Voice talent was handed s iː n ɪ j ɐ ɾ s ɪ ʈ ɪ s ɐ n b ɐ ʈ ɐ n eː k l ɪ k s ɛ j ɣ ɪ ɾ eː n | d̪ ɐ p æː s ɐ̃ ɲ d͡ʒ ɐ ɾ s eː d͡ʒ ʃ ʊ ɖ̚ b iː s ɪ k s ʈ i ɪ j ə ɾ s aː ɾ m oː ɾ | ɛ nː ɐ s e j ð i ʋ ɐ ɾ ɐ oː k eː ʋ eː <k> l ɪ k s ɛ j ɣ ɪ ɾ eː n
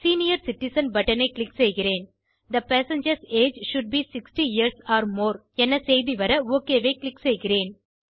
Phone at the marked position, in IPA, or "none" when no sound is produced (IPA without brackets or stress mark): k